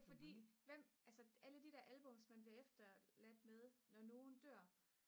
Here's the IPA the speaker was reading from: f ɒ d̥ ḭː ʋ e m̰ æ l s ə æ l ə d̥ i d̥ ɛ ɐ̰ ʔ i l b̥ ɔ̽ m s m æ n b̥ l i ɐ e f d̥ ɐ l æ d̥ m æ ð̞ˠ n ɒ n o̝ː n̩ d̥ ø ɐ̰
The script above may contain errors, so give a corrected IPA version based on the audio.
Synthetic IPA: f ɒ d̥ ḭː ʋ e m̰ æ l s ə æ l ə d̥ i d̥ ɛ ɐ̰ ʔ æ l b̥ ɔ̽ m s m æ n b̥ l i ɐ e f d̥ ɐ l æ d̥ m e ð̞ˠ n ɒ n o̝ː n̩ d̥ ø ɐ̰